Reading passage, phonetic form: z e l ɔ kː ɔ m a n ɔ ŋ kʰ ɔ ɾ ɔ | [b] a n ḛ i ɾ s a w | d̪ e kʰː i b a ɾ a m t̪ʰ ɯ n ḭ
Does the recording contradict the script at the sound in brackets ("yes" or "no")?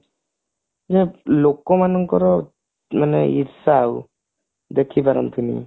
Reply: yes